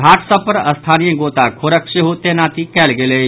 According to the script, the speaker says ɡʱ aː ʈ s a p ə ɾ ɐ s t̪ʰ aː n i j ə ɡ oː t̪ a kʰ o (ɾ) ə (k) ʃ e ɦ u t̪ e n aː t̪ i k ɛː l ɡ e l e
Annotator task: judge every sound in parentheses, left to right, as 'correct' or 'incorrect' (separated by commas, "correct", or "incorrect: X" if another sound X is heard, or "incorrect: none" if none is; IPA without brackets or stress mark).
correct, correct